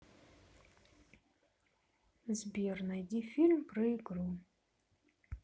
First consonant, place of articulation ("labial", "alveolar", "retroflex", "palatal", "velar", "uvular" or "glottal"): alveolar